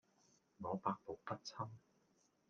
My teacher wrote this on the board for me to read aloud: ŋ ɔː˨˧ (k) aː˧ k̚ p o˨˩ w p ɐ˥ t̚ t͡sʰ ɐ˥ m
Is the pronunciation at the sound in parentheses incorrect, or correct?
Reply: incorrect